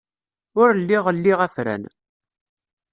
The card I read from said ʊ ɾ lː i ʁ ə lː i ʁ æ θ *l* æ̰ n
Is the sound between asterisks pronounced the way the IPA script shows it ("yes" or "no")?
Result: no